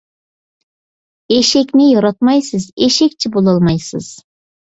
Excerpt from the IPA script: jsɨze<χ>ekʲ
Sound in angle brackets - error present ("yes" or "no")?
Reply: yes